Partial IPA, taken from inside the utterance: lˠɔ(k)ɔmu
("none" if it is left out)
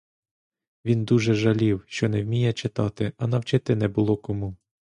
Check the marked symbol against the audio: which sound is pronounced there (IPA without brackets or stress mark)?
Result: k